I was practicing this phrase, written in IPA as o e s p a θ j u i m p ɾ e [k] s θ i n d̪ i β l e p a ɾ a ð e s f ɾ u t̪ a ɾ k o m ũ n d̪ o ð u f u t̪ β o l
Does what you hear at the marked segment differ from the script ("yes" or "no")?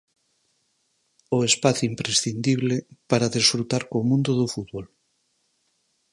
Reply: yes